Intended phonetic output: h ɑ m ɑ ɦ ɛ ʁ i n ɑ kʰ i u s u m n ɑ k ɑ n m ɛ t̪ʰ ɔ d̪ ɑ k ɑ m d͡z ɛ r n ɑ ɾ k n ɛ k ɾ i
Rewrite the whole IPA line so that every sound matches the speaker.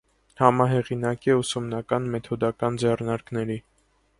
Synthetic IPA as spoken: h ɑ m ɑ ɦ ɛ ʁ i n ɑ k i u s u m n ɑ k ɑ n m ɛ t̪ʰ ɔ d̪ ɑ k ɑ n d͡z ɛ r n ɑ ɾ k n ɛ ɾ i